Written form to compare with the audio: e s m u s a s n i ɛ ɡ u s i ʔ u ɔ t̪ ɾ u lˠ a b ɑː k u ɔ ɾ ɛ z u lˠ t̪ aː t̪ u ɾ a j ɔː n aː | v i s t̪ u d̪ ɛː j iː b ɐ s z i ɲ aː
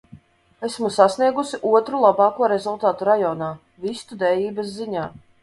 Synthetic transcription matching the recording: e s m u s a s n i ɛ ɡ u s i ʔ u ɔ t̪ ɾ u lˠ a b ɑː k u ɔ ɾ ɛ z u lˠ t̪ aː t̪ u ɾ a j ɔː n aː | v i s t̪ u d̪ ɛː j iː b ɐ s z i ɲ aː